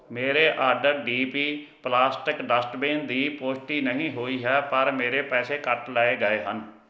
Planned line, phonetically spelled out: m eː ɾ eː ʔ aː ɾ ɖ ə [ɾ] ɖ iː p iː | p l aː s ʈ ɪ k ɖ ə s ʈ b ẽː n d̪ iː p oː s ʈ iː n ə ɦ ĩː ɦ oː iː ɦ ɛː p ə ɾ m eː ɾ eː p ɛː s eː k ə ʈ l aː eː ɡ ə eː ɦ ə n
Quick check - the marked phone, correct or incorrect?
correct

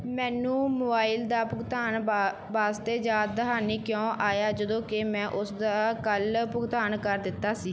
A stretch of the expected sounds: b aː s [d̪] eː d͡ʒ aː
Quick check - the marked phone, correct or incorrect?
incorrect: t̪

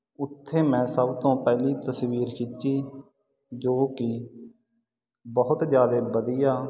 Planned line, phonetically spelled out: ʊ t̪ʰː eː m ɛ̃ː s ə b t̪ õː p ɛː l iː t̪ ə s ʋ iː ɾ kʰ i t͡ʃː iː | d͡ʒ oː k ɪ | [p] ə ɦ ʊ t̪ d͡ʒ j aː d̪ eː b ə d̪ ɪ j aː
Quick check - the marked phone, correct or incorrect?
incorrect: b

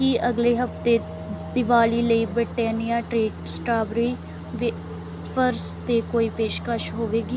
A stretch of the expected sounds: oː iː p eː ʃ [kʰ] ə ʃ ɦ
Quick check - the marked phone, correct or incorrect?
incorrect: k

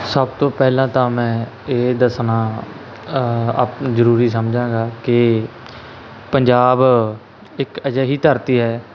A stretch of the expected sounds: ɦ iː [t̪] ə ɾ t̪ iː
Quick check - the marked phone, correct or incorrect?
correct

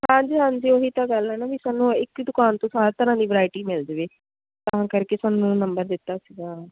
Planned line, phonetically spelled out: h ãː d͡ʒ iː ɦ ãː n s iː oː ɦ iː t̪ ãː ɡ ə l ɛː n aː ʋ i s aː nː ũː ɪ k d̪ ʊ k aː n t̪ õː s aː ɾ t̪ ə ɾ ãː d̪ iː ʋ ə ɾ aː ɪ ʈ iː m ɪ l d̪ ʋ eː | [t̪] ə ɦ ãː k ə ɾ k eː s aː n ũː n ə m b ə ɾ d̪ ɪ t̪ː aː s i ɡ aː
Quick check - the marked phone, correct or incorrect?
correct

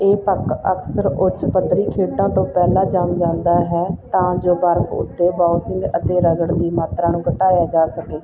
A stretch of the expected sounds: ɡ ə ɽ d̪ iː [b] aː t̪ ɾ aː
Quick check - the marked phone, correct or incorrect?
incorrect: m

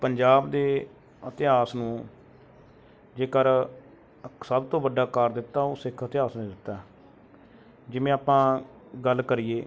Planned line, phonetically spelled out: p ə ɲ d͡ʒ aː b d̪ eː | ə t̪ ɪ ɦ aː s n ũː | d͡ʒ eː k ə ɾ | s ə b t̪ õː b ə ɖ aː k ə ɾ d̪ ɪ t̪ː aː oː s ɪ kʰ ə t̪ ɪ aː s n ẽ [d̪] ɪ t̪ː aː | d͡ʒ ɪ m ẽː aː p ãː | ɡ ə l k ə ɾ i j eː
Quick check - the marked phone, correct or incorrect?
correct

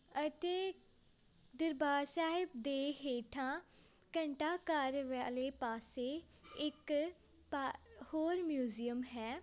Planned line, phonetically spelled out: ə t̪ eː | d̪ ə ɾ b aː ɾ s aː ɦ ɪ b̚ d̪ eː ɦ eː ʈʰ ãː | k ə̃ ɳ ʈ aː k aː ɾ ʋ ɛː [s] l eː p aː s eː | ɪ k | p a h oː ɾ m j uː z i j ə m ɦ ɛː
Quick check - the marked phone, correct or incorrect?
incorrect: none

